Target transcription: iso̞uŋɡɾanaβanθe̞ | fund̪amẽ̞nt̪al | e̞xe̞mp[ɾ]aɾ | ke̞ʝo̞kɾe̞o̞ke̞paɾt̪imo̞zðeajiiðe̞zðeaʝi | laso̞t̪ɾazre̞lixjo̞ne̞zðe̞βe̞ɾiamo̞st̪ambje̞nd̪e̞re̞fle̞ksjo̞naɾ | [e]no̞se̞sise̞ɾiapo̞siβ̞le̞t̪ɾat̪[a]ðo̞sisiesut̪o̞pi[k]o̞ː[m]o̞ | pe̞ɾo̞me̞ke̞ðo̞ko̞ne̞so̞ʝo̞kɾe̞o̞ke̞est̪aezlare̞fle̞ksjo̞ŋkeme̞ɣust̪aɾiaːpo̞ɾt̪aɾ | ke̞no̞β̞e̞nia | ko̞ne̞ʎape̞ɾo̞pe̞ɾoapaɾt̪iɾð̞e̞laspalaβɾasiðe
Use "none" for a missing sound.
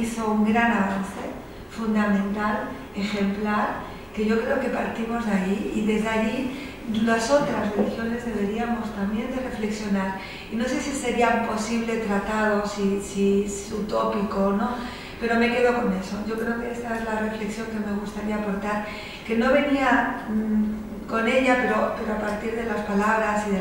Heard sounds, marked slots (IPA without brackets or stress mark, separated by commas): l, i, a, k, n